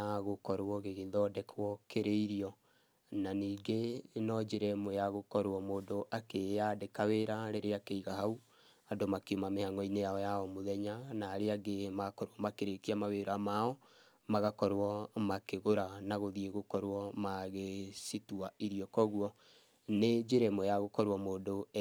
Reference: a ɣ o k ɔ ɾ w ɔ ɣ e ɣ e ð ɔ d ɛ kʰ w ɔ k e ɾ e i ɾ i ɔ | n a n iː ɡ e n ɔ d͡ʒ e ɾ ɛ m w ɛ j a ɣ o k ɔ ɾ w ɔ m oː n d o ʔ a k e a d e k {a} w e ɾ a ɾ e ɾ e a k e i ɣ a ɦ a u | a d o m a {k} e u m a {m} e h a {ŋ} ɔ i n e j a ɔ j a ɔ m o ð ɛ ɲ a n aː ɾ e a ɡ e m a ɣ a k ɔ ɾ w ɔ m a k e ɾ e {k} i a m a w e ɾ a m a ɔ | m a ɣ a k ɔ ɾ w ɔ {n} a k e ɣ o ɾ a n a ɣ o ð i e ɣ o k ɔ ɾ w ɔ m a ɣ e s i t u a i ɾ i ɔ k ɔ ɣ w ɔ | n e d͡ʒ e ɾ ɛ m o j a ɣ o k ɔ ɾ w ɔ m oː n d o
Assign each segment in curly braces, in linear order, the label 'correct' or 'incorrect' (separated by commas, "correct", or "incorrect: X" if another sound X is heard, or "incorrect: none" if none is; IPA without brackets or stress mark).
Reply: correct, correct, correct, correct, correct, incorrect: m